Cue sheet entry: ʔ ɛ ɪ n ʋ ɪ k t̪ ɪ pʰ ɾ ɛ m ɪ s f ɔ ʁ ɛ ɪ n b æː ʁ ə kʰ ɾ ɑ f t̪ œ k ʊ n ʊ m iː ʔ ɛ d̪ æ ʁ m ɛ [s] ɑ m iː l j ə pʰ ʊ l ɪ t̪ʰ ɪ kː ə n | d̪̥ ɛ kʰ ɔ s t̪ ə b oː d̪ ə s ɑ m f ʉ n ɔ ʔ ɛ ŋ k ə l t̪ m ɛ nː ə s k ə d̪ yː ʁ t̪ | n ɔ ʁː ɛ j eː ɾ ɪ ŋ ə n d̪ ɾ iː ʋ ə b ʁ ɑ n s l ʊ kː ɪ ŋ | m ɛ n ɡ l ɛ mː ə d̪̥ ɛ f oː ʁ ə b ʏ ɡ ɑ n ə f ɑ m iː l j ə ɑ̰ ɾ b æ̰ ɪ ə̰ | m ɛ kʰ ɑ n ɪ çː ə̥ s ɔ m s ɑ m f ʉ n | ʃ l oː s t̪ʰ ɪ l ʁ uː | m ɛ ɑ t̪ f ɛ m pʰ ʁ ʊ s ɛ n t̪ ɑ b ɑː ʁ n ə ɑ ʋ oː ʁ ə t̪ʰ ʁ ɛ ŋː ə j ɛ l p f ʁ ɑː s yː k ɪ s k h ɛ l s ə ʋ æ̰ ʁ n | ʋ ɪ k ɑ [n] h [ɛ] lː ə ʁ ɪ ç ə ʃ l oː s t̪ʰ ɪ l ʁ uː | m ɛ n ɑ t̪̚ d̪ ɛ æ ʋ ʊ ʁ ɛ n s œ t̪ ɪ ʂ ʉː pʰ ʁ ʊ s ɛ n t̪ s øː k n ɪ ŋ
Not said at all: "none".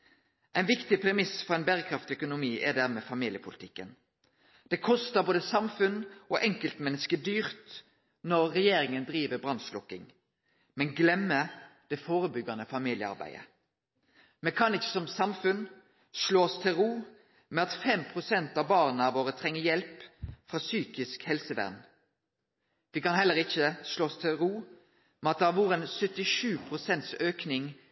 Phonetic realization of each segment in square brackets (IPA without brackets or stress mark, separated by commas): f, n, ɛ